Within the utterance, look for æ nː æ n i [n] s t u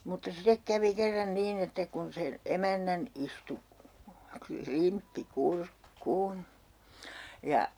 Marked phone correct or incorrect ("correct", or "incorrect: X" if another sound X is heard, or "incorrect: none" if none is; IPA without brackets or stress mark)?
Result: incorrect: none